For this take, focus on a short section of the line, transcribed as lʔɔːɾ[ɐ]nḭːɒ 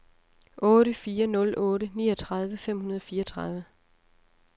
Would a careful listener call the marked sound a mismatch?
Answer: yes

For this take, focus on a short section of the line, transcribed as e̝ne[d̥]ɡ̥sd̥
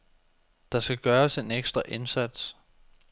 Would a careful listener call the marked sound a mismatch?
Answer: yes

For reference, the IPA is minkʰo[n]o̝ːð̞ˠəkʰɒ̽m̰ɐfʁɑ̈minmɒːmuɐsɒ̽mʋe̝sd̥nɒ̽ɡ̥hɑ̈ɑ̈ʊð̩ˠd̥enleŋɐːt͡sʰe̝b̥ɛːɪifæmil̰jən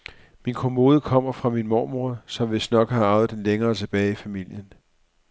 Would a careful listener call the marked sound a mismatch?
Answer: yes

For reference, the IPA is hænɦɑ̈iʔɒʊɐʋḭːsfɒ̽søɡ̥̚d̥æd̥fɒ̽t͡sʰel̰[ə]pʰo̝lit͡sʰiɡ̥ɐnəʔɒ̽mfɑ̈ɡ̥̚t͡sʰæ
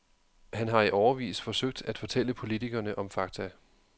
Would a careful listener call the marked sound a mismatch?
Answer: no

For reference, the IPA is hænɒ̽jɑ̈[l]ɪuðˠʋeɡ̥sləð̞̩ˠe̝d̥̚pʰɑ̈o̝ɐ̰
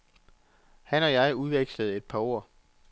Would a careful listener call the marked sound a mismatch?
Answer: yes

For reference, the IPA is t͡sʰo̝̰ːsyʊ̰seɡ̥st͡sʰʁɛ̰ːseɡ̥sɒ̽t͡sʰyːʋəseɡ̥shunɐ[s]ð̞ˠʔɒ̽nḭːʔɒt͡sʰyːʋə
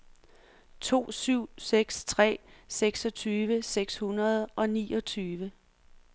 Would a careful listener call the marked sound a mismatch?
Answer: yes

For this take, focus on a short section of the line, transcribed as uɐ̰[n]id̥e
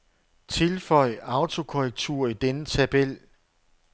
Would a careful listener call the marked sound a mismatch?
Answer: yes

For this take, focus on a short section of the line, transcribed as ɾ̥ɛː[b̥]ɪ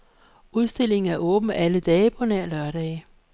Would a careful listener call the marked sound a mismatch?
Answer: yes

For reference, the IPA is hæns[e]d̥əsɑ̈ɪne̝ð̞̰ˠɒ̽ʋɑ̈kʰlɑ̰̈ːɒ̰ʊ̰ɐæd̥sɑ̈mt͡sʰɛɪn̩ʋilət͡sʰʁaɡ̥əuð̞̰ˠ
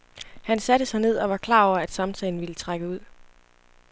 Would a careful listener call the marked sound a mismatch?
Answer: yes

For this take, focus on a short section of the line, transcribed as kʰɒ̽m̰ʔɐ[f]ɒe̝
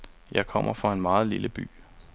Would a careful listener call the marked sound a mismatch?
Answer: no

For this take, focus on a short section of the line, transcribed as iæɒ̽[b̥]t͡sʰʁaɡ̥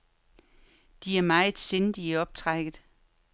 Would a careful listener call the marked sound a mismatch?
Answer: no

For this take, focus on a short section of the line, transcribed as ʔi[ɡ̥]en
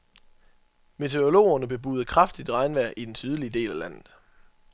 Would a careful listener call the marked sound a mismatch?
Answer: yes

